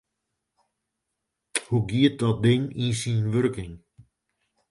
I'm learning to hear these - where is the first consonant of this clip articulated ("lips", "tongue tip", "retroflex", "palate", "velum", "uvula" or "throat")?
throat